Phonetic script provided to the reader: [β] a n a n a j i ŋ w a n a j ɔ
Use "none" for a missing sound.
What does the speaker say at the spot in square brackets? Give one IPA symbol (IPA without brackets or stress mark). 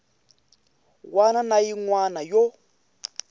w